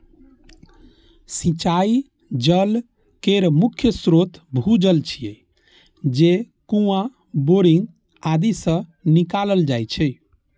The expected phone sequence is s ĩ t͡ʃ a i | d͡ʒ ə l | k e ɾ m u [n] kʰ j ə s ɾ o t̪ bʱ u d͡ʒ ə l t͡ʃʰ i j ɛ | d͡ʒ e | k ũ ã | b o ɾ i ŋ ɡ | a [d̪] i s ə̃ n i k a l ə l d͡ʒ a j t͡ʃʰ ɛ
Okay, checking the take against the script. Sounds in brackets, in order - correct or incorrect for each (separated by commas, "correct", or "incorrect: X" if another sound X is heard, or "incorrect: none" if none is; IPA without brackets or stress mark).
incorrect: none, correct